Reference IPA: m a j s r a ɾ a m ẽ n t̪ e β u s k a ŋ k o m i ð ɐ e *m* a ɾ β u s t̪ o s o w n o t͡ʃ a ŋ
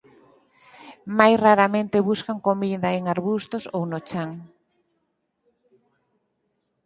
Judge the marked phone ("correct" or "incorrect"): incorrect